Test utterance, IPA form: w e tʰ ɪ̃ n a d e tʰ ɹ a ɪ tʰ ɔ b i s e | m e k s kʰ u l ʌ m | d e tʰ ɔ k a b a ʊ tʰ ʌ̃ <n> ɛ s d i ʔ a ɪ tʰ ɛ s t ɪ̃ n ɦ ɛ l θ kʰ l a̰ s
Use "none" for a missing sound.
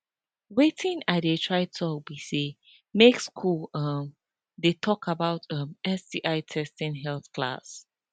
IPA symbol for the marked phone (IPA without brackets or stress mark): m